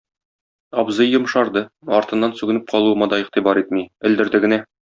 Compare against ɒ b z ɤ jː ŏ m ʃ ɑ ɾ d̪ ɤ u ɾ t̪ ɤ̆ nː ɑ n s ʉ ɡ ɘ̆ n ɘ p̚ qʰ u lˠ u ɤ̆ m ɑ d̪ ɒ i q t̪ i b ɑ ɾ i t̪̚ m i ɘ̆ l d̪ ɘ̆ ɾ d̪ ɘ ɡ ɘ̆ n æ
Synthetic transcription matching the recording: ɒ b z ɤ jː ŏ m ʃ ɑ ɾ d̪ ɤ ɒ ɾ t̪ ɤ̆ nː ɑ n s ʉ ɡ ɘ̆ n ɘ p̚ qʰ ɒ lˠ u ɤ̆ m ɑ d̪ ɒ i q t̪ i b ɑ ɾ i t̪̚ m i ɘ̆ l d̪ ɘ̆ ɾ d̪ ɘ ɡ ɘ̆ n æ